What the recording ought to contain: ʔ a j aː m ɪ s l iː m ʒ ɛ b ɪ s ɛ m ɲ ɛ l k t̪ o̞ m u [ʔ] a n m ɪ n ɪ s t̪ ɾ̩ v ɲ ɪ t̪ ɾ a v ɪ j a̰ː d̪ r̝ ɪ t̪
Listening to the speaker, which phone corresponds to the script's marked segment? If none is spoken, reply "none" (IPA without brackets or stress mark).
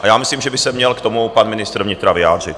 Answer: p